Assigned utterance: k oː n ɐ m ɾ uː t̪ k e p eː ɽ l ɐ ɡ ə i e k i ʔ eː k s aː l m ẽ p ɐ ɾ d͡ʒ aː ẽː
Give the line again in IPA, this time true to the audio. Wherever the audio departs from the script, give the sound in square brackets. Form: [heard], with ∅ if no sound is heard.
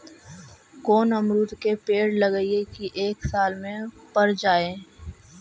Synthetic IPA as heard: k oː n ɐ m ɾ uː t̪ k e p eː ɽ l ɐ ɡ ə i e k i ʔ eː k s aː l m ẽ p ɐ ɾ d͡ʒ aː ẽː